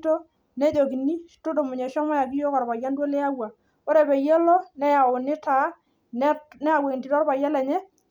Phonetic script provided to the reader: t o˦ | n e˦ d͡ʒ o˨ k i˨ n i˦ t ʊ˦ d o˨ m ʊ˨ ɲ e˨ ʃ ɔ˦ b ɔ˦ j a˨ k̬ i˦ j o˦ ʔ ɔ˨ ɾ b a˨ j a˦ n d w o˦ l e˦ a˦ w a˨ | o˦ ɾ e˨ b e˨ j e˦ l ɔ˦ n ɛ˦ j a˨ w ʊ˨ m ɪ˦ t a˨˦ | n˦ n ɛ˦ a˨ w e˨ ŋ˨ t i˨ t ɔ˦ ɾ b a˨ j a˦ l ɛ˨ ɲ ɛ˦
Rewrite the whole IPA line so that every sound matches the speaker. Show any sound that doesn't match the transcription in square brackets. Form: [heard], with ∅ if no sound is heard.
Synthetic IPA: t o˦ | n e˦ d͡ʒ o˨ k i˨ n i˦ t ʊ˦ d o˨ m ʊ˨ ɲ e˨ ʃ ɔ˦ [m] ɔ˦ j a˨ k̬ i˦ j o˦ [k] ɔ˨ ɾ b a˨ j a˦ n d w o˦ l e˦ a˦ w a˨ | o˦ ɾ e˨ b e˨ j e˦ l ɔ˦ n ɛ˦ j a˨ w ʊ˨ [n] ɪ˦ t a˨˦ | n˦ n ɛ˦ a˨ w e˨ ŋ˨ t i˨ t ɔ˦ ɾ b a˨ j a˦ l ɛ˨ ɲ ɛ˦